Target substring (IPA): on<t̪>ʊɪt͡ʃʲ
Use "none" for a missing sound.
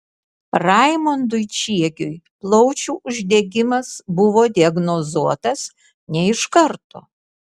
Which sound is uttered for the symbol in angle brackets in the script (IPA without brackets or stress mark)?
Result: d̪